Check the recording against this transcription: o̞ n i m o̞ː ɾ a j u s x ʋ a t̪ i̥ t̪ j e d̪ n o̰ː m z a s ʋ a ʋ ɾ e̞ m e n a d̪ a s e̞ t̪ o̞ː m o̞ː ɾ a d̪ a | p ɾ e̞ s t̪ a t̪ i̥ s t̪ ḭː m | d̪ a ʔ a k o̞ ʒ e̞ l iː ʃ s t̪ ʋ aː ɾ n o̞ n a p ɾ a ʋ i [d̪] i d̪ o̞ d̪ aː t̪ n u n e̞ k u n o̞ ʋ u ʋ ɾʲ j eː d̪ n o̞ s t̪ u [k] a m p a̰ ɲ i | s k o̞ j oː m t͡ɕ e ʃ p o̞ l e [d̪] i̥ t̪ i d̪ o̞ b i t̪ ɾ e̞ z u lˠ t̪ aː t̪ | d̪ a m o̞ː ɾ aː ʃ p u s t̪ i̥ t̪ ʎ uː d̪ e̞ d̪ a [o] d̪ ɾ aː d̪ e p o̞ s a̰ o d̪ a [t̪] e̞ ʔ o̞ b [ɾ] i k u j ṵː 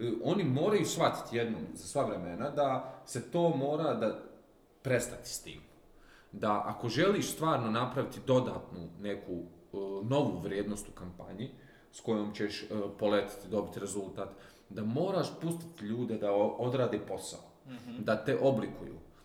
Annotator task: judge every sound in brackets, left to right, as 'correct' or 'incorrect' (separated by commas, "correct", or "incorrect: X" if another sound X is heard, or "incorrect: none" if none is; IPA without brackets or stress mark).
incorrect: t̪, correct, incorrect: t̪, correct, correct, incorrect: l